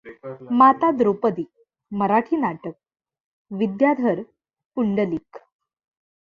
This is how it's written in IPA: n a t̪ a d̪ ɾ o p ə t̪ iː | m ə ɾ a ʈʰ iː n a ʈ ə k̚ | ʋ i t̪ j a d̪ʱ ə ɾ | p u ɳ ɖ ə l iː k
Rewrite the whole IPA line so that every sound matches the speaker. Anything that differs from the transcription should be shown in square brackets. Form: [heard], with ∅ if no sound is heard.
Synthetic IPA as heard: [m] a t̪ a d̪ ɾ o p ə [d̪] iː | m ə ɾ a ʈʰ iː n a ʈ ə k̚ | ʋ i [d̪] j a d̪ʱ ə ɾ | p u ɳ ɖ ə l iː k